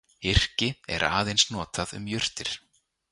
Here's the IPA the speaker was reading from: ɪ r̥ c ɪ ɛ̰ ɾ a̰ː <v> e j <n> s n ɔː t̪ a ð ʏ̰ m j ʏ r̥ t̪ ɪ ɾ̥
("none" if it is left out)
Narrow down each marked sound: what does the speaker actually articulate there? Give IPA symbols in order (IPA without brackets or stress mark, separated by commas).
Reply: ð, n